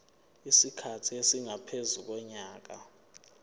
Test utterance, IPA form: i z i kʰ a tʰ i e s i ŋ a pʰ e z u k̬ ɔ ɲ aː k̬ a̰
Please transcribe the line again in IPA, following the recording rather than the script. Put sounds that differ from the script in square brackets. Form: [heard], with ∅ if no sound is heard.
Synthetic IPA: i [s] i kʰ a tʰ i e s i ŋ a pʰ e z u k̬ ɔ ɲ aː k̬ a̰